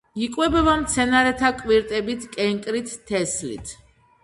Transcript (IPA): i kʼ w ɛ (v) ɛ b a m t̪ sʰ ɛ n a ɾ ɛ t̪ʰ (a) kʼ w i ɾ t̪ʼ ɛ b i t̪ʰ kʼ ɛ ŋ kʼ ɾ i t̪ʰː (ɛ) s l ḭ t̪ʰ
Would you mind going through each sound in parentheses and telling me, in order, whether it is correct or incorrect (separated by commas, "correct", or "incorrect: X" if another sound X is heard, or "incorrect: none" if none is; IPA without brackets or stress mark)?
incorrect: b, correct, correct